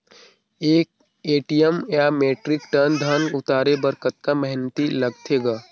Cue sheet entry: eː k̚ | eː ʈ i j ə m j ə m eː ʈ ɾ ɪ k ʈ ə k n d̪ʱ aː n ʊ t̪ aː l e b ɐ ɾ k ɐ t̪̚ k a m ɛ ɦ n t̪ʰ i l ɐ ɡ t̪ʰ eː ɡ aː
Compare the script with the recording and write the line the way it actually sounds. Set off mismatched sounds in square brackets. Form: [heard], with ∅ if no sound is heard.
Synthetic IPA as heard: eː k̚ | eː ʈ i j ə m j [a] m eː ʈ ɾ ɪ k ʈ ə [∅] n d̪ʱ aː n ʊ t̪ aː [ɾ] e b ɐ ɾ k [ə] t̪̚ k a m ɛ ɦ n [t̪] i l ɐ ɡ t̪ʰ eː ɡ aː